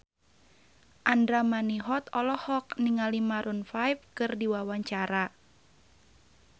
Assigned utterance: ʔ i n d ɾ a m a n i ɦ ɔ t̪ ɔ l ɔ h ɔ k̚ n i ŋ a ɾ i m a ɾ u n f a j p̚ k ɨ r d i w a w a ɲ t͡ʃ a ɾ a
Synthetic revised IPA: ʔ a n d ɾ a m a n i ɦ ɔ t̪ ɔ l ɔ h ɔ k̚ n i ŋ a l i m a ɾ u n f a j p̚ k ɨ r d i w a w a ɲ t͡ʃ a ɾ a